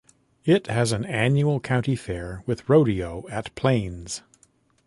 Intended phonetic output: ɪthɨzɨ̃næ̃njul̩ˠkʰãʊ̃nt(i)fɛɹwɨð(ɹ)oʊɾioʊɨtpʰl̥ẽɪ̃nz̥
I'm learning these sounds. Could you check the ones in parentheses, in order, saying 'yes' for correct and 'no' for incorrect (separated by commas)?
yes, yes